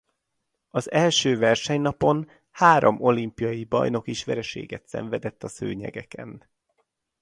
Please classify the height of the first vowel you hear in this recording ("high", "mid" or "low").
low